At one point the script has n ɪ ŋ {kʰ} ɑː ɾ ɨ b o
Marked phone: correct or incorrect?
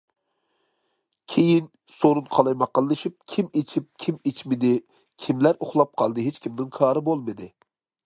correct